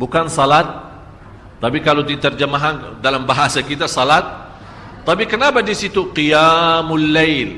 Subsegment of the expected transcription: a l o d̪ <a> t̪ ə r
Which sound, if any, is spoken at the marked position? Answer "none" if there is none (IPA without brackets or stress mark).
i